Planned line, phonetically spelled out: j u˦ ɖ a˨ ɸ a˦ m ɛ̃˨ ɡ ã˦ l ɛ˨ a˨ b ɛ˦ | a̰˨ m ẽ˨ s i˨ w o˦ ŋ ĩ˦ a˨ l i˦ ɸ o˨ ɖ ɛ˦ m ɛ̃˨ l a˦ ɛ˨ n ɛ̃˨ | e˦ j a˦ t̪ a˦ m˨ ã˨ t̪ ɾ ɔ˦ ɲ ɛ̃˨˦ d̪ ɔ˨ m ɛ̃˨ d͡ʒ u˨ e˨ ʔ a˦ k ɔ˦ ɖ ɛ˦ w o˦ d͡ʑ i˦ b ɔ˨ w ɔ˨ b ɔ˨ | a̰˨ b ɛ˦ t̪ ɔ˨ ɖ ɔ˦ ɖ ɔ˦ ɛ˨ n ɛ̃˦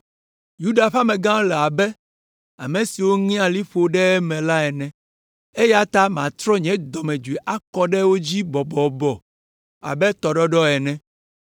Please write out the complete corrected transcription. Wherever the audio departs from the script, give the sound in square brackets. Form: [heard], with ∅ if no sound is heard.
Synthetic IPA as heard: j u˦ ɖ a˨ ɸ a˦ m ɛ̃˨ ɡ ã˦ l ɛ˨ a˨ b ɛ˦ | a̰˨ m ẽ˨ s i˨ w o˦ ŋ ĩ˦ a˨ l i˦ ɸ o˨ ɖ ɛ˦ m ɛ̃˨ l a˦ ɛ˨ n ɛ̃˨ | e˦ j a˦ t̪ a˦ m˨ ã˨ t̪ ɾ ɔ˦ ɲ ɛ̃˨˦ d̪ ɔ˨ m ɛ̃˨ d͡ʒ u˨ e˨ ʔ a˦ k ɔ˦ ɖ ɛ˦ w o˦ d͡ʑ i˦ b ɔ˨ [b] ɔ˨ b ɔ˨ | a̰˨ b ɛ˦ t̪ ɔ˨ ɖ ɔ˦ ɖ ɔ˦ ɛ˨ n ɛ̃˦

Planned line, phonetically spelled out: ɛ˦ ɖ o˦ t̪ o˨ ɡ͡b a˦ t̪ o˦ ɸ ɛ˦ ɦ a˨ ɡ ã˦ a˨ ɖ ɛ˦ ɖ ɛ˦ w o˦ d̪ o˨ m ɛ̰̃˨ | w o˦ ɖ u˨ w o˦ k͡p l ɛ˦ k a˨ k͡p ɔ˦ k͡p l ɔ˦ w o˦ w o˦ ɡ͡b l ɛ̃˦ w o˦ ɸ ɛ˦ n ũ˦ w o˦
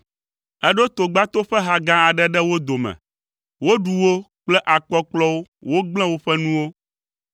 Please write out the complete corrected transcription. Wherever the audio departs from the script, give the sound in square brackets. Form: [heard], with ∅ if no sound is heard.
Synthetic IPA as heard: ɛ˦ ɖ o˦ t̪ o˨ ɡ͡b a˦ t̪ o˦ ɸ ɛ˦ ɦ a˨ ɡ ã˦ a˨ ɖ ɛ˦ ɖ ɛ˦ w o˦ d̪ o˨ m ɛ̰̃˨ | w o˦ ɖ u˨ w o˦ k͡p l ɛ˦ [ʔ] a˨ k͡p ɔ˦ k͡p l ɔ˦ w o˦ w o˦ ɡ͡b l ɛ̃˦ w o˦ ɸ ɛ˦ n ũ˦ w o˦

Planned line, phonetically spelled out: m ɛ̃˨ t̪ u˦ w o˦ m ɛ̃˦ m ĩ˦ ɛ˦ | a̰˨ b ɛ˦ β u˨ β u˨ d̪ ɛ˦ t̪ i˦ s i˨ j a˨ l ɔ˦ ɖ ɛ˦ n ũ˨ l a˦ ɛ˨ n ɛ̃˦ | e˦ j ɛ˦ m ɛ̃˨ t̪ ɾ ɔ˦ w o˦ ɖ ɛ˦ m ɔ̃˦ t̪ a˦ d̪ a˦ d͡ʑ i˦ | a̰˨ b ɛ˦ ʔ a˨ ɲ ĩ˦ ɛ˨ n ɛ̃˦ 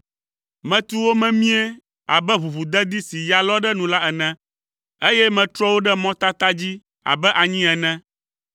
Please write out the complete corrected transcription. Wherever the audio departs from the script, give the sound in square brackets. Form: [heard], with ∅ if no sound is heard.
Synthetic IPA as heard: m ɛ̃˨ t̪ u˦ w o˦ m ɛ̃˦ m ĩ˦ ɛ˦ | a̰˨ b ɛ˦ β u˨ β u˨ d̪ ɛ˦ [d̪] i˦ s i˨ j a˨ l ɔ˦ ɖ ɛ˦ n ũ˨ l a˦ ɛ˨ n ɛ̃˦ | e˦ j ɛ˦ m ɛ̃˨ t̪ ɾ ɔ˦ w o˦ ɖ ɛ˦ m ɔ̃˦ t̪ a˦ [t̪] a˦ d͡ʑ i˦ | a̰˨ b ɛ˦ ʔ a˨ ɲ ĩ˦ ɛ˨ n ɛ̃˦

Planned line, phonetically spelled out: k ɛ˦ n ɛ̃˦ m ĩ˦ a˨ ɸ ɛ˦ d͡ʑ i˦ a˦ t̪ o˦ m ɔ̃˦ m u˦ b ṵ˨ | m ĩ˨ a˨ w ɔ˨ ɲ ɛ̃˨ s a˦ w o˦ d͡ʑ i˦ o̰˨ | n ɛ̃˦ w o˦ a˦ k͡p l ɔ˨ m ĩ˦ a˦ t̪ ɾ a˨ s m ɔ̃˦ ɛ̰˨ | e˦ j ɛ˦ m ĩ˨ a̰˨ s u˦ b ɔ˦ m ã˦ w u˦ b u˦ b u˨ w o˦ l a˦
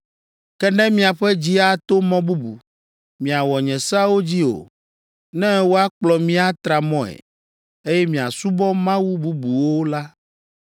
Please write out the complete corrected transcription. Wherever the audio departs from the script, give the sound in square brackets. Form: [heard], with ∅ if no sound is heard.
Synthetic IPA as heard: k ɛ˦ n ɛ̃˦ m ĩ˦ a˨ ɸ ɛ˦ d͡ʑ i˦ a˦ t̪ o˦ m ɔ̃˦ [b] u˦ b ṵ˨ | m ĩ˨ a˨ w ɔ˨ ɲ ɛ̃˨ s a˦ w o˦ d͡ʑ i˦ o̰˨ | n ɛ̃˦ w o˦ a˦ k͡p l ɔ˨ m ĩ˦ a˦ t̪ ɾ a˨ [∅] m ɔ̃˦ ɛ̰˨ | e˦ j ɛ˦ m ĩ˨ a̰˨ s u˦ b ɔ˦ m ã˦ w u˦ b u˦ b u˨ w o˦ l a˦

